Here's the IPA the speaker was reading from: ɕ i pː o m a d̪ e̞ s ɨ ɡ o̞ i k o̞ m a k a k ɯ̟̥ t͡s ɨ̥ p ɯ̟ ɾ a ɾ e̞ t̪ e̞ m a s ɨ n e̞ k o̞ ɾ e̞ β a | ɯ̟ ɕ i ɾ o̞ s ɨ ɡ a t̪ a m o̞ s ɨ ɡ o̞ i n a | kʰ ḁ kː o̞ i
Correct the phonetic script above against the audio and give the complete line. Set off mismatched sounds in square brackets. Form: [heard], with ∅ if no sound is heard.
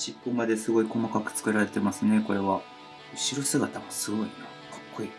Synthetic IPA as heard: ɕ i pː o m a d̪ e̞ s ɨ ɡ o̞ i k o̞ m a k a k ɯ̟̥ t͡s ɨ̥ [k] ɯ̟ ɾ a ɾ e̞ t̪ e̞ m a s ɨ n e̞ k o̞ ɾ e̞ β a | ɯ̟ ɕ i ɾ o̞ s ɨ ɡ a t̪ a m o̞ s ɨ ɡ o̞ i n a | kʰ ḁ kː o̞ i